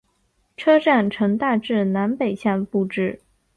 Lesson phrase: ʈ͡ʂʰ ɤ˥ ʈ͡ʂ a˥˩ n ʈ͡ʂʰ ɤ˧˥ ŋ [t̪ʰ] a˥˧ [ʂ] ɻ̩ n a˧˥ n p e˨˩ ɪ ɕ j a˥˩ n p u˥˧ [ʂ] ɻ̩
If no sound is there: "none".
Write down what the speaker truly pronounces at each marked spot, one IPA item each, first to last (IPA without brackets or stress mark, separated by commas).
t̪, ʈ͡ʂ, ʈ͡ʂ